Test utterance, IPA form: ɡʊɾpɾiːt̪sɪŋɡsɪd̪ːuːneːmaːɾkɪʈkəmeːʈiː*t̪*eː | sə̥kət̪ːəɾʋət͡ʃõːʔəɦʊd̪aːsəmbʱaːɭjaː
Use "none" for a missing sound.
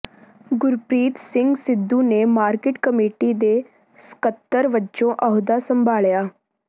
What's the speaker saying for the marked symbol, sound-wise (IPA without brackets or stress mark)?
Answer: d̪